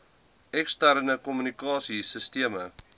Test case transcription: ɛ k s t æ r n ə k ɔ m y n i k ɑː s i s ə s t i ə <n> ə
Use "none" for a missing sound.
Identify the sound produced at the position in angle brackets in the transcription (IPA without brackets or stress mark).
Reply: m